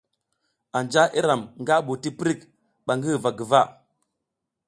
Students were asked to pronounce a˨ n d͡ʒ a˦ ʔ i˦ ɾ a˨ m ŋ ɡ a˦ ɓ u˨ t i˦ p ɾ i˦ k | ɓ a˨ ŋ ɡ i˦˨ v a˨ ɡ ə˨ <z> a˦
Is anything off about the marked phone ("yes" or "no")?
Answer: yes